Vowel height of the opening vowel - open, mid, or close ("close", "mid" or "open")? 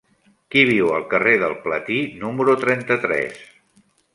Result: close